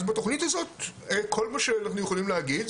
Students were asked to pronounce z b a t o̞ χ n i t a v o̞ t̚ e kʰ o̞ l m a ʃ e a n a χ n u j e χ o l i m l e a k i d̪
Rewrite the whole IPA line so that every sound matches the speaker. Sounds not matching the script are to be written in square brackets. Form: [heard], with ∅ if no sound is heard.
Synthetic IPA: z b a t o̞ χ n i t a [z] o̞ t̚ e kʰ o̞ l m a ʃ e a n a χ n u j e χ o l i m l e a [ɡ] i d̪